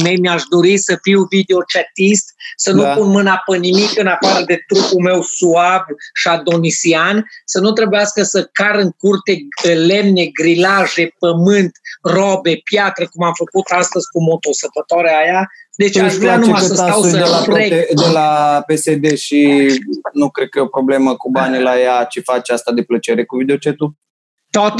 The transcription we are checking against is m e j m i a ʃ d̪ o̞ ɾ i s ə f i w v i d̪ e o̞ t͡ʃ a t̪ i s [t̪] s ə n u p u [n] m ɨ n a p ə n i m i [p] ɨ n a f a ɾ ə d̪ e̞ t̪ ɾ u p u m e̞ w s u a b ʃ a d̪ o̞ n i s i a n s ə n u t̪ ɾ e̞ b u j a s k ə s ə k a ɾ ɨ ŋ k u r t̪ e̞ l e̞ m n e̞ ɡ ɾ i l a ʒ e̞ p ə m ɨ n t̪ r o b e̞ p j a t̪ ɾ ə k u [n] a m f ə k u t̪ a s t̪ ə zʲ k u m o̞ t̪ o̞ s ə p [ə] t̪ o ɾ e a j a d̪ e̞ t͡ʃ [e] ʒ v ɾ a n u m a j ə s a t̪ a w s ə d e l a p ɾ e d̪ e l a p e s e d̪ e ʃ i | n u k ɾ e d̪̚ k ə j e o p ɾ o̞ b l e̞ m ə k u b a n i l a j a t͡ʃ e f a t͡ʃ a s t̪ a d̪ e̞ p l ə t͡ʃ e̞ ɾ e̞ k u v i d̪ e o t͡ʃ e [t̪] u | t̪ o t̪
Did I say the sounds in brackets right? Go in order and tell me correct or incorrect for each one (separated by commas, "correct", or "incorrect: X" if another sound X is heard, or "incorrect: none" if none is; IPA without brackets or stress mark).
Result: correct, correct, incorrect: k, incorrect: m, correct, incorrect: a, correct